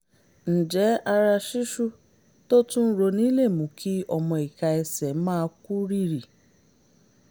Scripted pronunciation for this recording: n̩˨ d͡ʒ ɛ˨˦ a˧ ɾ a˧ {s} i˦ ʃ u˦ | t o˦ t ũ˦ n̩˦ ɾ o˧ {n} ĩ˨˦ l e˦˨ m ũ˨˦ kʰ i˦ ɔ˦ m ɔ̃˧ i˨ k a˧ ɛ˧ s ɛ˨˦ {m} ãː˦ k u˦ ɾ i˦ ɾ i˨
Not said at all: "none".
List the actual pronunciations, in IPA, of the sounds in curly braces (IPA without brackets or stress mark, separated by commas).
ʃ, n, m